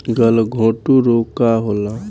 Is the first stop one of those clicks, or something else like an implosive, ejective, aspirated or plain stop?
plain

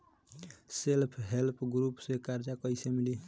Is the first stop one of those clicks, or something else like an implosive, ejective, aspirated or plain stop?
aspirated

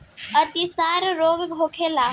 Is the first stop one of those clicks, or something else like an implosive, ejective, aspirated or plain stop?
plain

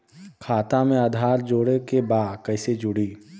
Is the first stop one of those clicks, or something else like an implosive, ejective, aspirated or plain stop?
aspirated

